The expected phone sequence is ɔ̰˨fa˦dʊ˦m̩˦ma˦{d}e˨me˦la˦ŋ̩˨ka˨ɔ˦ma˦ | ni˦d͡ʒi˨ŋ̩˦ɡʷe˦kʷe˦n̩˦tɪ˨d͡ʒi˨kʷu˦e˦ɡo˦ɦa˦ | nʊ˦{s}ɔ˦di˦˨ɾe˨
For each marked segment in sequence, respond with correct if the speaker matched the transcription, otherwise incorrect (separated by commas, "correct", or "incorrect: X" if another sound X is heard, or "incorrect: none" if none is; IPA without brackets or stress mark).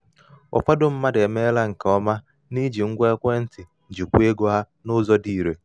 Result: correct, incorrect: z